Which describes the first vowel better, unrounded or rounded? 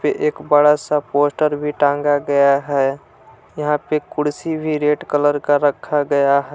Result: unrounded